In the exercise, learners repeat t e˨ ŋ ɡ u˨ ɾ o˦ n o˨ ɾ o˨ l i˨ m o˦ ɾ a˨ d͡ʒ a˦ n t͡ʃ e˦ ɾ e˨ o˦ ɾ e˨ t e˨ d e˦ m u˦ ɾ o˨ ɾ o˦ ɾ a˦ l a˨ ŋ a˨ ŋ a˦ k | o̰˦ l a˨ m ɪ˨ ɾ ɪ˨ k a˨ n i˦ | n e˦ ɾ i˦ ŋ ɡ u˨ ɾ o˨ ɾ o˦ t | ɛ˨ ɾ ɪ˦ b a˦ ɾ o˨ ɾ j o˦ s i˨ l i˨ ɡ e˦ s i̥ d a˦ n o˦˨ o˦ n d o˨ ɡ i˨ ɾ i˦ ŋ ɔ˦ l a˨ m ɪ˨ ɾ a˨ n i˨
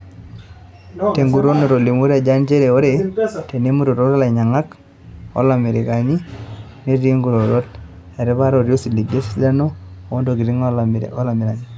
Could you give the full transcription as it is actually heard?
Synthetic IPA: t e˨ ŋ ɡ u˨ ɾ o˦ n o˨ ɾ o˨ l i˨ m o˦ ɾ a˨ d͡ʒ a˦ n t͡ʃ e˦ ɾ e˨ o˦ ɾ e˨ t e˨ n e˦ m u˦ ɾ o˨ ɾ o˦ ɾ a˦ l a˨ ɲ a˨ ŋ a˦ k | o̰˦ l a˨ m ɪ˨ ɾ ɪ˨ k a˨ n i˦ | n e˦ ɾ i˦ ŋ ɡ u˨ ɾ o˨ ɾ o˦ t | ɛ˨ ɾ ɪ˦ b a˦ ɾ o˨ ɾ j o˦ s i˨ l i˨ ɡ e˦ s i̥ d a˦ n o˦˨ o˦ n d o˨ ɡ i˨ ɾ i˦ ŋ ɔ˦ l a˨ m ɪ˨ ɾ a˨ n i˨